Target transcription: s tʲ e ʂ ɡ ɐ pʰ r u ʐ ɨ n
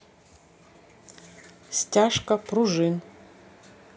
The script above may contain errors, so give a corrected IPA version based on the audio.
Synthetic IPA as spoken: s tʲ a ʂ k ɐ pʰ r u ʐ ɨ n